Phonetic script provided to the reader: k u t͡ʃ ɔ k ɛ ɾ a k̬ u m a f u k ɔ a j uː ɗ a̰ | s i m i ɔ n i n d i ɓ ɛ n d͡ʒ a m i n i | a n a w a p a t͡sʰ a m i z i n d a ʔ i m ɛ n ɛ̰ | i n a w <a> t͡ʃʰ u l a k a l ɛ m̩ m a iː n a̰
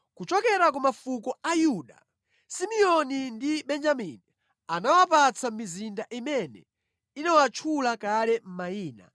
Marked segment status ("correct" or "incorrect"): correct